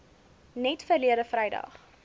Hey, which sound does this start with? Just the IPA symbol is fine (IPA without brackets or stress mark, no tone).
n